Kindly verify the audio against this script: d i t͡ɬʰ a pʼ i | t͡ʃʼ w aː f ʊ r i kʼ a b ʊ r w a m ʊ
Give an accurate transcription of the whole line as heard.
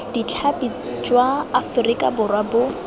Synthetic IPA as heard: d i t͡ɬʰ a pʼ i | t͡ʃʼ w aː f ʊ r i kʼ a b ʊ r w a b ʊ